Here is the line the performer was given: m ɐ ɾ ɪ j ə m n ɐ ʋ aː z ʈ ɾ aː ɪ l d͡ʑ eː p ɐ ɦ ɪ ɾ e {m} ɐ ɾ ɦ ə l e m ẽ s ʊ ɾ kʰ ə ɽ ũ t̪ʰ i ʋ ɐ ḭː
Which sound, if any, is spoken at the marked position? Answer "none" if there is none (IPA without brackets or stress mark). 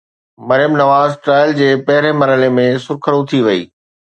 m